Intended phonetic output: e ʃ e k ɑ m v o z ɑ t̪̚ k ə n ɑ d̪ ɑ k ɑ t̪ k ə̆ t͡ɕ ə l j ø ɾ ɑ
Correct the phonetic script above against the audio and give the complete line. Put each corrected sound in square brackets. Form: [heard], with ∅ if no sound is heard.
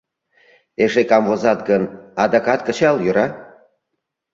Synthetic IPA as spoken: e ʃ e k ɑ m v o z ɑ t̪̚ [ɡ] ə n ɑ d̪ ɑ k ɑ t̪ k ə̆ t͡ɕ [ɑ] l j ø ɾ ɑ